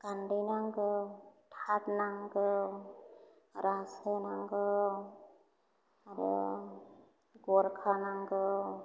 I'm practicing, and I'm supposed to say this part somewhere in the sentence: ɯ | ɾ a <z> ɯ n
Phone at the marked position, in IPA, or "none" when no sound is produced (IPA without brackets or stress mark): s